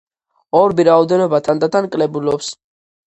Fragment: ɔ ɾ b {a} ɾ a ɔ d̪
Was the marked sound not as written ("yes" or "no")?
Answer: yes